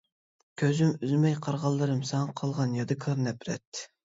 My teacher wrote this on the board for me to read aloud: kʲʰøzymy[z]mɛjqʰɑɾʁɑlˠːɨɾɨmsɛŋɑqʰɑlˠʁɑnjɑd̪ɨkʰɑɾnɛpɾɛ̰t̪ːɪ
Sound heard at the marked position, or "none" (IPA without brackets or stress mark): z